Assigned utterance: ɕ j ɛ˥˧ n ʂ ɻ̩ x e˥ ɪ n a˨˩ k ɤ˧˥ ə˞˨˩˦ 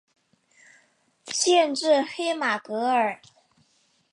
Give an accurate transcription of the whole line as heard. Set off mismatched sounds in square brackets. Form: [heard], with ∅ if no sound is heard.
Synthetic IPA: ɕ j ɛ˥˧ n [ʈ͡ʂ] ɻ̩ x e˥ ɪ [m] a˨˩ k ɤ˧˥ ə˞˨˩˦

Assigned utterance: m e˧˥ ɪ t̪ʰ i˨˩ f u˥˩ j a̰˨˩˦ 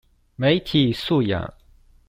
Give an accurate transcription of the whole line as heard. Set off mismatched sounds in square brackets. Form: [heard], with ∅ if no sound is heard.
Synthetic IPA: m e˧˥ ɪ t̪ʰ i˨˩ [s] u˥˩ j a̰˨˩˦

